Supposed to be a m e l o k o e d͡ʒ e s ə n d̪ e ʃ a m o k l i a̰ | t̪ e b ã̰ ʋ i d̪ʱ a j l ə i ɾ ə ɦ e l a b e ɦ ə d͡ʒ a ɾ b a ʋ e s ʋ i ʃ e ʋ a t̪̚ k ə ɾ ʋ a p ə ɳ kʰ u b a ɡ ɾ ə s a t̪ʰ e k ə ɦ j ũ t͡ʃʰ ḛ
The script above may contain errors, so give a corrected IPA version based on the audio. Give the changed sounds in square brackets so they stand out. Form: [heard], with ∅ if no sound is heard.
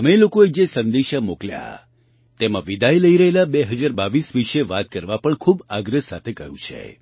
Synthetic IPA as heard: [ə] m e l o k o e d͡ʒ e s ə n d̪ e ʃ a m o k l [j] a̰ | t̪ e [m] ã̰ ʋ i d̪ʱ a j l ə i ɾ ə ɦ e l a b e ɦ ə d͡ʒ a ɾ b a ʋ [i] s ʋ i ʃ e ʋ a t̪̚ k ə ɾ ʋ a p ə ɳ kʰ u b a ɡ ɾ ə s a t̪ʰ e k ə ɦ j ũ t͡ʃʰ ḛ